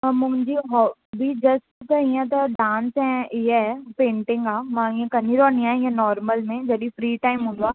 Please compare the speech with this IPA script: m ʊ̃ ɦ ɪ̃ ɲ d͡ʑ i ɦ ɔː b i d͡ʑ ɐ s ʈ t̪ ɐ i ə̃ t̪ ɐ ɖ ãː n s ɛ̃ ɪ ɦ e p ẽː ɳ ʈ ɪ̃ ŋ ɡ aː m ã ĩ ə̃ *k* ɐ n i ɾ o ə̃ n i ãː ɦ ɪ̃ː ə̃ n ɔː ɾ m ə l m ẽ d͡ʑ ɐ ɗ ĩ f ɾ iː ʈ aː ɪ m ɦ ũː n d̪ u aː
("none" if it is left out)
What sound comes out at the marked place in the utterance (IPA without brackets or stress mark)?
k